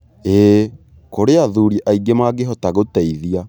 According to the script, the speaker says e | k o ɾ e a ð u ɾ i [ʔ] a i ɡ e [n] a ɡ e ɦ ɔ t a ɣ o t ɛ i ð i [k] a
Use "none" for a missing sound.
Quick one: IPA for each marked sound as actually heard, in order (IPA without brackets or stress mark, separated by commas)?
ʔ, m, none